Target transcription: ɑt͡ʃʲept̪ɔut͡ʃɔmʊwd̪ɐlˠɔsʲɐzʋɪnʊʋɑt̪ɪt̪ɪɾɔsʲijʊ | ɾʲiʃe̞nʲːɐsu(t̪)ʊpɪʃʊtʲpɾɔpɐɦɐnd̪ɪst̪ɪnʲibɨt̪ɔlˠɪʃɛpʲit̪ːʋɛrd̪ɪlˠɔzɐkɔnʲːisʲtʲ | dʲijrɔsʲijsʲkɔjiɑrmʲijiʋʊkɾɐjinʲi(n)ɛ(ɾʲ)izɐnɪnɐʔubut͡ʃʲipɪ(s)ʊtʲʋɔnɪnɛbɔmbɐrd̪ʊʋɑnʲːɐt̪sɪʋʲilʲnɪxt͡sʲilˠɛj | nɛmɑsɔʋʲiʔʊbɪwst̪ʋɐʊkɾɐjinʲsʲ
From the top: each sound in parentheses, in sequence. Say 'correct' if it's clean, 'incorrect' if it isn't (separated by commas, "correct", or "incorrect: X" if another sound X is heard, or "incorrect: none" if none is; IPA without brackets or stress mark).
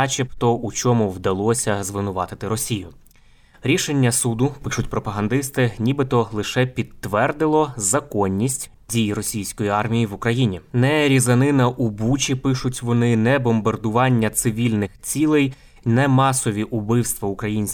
incorrect: d̪, correct, correct, incorrect: ʃ